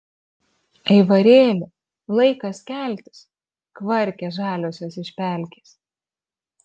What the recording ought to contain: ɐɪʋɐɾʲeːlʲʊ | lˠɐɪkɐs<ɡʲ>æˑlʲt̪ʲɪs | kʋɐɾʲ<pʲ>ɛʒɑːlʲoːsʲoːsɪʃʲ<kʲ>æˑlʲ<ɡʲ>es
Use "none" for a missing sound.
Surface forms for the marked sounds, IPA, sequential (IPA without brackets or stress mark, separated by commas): kʲ, kʲ, pʲ, kʲ